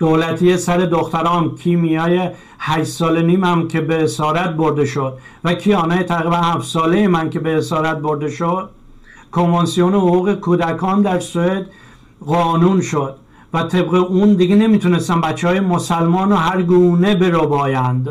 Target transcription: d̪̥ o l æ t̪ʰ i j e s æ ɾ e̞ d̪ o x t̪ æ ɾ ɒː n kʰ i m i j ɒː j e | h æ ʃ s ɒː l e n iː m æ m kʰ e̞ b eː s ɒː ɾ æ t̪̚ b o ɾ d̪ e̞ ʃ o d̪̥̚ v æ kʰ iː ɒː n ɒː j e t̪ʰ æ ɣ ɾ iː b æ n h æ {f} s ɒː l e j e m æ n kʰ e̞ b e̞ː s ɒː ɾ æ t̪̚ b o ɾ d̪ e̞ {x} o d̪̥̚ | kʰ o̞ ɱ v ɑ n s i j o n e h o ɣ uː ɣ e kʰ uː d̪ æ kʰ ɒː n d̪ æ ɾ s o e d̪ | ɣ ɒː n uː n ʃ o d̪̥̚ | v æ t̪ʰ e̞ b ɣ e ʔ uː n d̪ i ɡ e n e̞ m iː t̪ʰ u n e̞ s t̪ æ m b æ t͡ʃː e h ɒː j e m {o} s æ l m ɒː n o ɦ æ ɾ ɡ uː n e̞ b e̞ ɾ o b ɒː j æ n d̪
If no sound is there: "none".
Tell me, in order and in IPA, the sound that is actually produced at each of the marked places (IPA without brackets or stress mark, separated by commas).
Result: f, ʃ, o